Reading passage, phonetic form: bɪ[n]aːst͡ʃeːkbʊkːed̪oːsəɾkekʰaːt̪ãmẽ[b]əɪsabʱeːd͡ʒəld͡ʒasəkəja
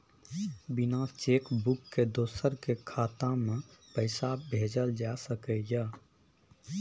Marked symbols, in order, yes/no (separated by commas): yes, no